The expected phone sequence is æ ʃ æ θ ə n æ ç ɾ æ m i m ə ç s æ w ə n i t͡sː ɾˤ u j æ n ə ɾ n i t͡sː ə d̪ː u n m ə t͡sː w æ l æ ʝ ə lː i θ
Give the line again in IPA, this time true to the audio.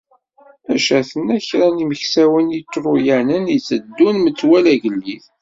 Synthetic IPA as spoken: æ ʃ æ θ ə n æ ç ɾ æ n i m ə ç s æ w ə n i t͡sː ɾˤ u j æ n ə n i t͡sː ə d̪ː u n m ə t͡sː w æ l æ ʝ ə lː i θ